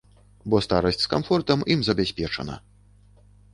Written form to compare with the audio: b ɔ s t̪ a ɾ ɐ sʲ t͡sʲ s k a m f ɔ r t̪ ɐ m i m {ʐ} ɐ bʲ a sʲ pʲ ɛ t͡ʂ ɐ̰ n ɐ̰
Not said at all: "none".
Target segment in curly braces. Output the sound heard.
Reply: z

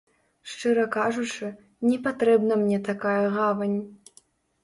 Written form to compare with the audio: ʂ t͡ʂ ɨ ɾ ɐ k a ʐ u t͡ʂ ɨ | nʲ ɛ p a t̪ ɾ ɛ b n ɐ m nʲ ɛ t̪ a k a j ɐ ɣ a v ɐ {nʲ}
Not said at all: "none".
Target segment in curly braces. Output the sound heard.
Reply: nʲ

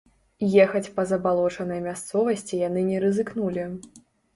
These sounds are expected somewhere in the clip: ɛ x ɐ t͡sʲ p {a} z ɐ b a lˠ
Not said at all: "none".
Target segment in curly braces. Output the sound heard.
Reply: ɐ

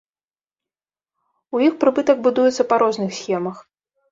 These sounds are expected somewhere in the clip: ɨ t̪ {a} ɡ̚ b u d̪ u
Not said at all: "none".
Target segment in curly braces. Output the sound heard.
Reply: ɐ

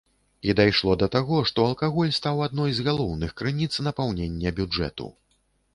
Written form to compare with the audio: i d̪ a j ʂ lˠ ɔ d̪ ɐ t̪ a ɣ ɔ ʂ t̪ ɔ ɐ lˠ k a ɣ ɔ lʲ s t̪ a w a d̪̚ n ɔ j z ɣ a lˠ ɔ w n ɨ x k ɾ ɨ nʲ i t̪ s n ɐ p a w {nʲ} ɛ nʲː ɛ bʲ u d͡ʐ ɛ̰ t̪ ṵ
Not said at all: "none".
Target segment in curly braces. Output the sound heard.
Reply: nʲ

